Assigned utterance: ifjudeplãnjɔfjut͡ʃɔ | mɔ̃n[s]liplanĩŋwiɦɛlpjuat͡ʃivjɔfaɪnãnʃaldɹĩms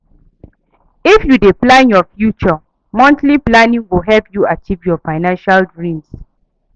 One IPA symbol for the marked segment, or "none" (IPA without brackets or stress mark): t